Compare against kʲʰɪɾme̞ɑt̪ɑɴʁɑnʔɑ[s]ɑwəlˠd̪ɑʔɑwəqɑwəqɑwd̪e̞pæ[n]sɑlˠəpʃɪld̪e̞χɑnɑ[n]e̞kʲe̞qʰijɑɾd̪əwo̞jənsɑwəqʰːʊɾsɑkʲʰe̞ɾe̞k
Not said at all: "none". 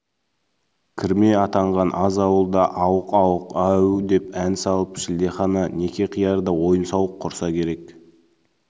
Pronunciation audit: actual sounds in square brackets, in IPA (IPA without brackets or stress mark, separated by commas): z, n, n